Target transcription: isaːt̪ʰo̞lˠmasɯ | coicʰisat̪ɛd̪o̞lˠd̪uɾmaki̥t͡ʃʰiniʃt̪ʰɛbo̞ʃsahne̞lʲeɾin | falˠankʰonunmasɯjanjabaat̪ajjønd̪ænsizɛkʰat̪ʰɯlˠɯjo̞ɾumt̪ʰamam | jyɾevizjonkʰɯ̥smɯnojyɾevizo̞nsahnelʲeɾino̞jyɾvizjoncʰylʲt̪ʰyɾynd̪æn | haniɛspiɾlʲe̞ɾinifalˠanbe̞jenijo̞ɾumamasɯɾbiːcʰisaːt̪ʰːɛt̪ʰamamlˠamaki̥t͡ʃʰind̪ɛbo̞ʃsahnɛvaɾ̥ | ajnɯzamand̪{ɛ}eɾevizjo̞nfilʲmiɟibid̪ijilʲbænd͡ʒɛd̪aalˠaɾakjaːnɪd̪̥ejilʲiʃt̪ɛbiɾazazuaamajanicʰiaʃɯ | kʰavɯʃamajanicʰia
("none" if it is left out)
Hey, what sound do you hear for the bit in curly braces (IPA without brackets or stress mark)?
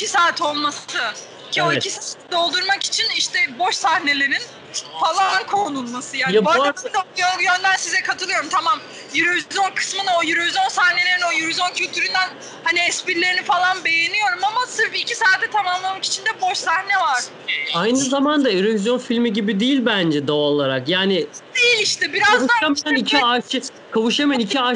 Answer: a